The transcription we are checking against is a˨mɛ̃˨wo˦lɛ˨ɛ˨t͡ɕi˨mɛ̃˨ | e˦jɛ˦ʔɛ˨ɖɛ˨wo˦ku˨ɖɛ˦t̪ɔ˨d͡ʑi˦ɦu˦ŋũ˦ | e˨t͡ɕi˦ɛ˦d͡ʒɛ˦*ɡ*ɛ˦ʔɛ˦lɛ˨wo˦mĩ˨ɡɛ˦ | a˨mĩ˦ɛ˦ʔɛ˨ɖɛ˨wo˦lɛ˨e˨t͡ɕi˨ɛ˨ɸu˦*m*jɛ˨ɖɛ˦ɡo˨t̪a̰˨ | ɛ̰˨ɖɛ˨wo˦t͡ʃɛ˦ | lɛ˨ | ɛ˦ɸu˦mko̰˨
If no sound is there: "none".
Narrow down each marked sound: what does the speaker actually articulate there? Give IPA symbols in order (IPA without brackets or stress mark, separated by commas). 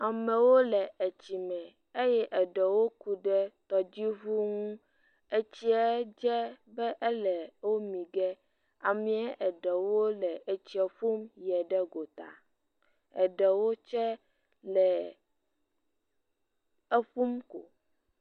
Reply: b, m